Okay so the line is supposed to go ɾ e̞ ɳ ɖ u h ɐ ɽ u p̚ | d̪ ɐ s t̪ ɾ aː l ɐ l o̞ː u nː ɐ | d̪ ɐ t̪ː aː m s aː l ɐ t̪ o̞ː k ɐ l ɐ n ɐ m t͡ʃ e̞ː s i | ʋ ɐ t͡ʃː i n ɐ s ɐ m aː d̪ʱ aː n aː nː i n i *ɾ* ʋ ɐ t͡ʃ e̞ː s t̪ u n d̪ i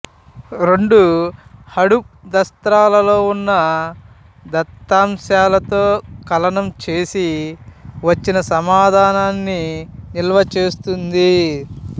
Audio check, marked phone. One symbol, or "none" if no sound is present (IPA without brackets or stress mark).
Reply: l